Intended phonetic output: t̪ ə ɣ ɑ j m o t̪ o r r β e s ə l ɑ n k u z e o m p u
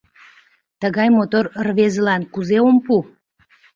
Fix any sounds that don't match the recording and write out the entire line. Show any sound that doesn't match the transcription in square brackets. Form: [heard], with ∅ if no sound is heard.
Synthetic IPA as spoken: t̪ ə ɣ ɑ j m o t̪ o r r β e [z] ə l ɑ n k u z e o m p u